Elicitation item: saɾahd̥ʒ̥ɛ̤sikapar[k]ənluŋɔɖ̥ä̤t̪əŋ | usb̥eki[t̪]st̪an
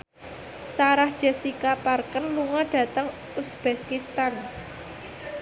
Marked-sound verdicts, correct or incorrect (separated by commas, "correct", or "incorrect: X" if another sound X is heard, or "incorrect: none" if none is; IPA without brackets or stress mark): correct, incorrect: none